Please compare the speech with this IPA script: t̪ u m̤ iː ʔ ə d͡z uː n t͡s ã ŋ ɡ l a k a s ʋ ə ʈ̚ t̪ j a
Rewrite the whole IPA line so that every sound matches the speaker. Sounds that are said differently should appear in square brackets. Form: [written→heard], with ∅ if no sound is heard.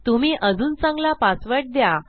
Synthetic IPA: t̪ u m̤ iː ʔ ə d͡z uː n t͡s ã ŋ ɡ l a [k→p] a s ʋ ə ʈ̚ [t̪→d̪] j a